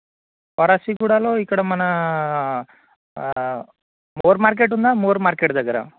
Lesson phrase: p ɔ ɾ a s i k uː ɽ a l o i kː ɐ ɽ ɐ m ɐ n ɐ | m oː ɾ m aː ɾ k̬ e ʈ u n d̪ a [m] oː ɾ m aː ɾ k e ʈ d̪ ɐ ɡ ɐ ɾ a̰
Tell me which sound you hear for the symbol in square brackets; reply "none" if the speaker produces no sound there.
m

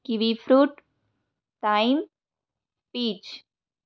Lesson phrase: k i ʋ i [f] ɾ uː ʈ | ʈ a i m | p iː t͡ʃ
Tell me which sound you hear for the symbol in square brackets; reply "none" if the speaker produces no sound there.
f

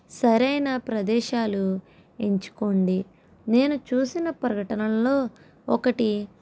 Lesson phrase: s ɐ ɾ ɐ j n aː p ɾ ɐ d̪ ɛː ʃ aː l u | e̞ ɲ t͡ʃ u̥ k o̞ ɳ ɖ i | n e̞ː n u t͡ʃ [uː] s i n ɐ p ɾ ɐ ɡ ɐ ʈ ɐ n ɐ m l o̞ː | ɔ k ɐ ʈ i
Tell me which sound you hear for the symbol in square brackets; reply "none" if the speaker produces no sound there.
uː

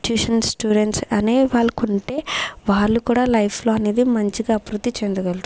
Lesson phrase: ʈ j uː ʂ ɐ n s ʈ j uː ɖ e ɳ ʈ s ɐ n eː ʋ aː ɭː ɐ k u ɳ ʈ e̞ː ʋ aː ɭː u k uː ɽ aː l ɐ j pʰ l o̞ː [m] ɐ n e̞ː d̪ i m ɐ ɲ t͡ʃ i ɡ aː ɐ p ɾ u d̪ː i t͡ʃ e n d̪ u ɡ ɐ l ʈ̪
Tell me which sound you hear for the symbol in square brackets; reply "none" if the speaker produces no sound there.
none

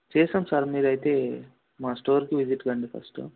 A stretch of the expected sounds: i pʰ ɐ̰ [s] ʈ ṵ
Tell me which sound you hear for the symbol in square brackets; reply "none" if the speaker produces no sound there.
s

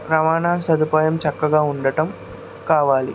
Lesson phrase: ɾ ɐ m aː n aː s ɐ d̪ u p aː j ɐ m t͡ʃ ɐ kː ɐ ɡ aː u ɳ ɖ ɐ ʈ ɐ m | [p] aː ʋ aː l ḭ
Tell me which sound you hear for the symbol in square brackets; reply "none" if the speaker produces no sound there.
k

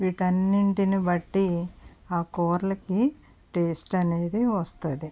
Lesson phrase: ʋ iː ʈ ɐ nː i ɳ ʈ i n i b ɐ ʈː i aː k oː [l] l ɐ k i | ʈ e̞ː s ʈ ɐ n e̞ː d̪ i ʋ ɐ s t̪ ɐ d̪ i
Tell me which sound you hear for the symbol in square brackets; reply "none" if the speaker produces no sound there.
ɾ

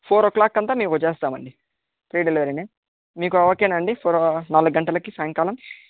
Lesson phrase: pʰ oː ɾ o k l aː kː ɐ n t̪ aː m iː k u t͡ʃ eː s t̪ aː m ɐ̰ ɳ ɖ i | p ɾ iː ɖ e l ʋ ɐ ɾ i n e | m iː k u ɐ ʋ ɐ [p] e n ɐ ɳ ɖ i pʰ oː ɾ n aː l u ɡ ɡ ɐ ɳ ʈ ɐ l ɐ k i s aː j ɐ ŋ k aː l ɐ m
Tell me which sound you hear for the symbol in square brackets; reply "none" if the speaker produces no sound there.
k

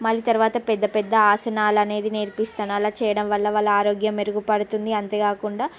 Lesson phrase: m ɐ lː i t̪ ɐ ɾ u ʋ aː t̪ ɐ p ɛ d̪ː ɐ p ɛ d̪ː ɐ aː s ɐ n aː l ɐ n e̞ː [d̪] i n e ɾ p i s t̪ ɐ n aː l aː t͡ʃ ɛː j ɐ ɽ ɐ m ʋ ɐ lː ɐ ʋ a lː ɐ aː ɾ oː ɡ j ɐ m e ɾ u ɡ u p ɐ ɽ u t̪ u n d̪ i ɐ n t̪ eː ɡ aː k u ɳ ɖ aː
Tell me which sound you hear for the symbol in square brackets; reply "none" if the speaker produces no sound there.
d̪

